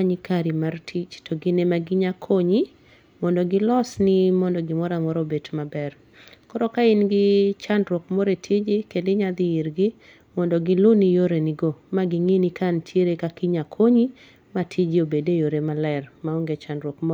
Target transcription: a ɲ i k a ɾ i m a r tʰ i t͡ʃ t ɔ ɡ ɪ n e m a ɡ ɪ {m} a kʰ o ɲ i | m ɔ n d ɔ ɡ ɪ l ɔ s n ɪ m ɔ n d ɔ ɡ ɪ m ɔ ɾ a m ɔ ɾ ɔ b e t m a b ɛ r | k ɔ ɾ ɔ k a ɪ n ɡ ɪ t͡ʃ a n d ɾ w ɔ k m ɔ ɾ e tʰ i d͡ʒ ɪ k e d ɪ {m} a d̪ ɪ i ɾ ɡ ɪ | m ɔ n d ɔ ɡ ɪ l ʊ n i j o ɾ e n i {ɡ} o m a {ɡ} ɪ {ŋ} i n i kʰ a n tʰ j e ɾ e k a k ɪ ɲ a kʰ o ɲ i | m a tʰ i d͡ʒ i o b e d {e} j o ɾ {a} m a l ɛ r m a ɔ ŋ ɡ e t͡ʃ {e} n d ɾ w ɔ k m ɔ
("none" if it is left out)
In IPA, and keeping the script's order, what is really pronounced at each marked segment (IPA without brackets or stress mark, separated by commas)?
ɲ, ɲ, ɡ, ɡ, ŋ, e, e, a